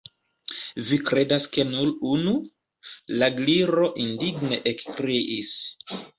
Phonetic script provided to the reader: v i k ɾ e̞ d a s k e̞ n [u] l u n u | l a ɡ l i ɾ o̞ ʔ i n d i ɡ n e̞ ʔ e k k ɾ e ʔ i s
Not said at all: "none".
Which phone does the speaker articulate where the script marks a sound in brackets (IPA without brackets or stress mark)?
u